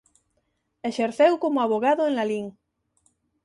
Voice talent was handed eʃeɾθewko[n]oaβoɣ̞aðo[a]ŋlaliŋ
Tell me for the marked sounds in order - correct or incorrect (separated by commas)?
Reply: incorrect, incorrect